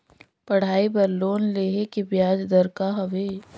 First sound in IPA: p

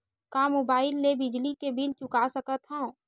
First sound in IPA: k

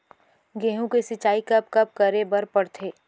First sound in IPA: ɡ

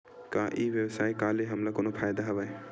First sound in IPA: k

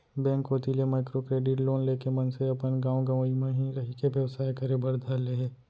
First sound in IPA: b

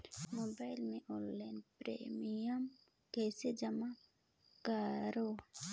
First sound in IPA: m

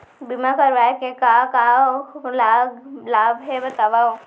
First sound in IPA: b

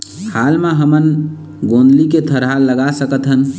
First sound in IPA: h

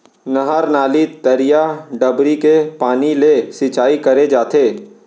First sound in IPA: n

